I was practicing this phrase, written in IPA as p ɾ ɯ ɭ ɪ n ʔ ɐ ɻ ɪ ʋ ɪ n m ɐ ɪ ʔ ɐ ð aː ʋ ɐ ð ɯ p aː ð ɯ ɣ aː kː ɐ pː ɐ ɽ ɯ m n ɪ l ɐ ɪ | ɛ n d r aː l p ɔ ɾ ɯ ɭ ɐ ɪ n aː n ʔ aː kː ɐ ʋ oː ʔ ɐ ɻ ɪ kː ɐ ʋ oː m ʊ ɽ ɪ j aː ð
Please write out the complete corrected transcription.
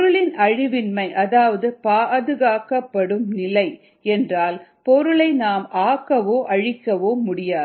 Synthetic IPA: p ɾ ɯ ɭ ɪ n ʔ ɐ ɻ ɪ ʋ ɪ n m ɐ ɪ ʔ ɐ ð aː ʋ ɐ ð ɯ p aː ð ɯ ɣ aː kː ɐ pː ɐ ɽ ɯ m n ɪ l ɐ ɪ | ɛ n d r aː l p ɔ ɾ ɯ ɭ ɐ ɪ n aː m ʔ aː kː ɐ ʋ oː ʔ ɐ ɻ ɪ kː ɐ ʋ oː m ʊ ɽ ɪ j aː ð